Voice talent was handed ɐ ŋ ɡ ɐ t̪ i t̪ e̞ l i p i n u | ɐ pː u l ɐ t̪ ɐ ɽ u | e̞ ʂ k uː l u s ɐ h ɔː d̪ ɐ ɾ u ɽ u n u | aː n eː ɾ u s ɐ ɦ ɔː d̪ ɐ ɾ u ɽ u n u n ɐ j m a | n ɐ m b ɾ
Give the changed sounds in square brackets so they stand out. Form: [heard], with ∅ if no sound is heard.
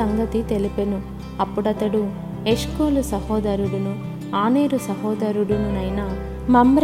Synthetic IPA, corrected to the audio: ɐ ŋ ɡ ɐ t̪ i t̪ e̞ l i p [e] n u | ɐ pː u [ɽ] ɐ t̪ ɐ ɽ u | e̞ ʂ k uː l u s ɐ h ɔː d̪ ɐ ɾ u ɽ u n u | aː n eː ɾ u s ɐ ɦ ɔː d̪ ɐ ɾ u ɽ u n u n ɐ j [n] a | [m] ɐ m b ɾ